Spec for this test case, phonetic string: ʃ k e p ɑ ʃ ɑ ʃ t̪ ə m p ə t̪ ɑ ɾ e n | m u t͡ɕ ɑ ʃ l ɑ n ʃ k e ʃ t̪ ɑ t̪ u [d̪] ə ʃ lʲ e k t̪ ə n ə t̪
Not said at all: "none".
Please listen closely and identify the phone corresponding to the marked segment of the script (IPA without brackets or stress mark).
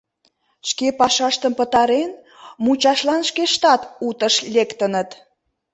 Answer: t̪